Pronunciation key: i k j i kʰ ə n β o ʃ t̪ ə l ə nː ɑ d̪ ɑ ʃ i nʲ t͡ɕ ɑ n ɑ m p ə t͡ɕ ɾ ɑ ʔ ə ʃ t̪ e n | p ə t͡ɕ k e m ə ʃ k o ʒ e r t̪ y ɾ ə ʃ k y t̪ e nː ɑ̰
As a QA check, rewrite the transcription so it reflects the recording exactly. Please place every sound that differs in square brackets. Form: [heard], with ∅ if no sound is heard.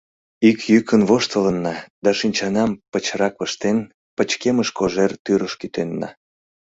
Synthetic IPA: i k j [y] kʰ ə n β o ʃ t̪ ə l ə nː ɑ d̪ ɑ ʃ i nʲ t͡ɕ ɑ n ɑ m p ə t͡ɕ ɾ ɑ [k] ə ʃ t̪ e n | p ə t͡ɕ k e m ə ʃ k o ʒ e r t̪ y ɾ ə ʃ k y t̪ e nː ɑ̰